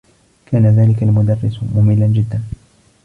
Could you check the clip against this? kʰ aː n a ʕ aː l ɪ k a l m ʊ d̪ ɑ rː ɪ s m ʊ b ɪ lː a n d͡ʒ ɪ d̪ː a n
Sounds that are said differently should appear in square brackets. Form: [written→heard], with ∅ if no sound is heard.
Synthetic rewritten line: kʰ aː n a [ʕ→ð] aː l ɪ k a l m ʊ d̪ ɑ rː ɪ s m ʊ [b→m] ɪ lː a n d͡ʒ ɪ d̪ː a n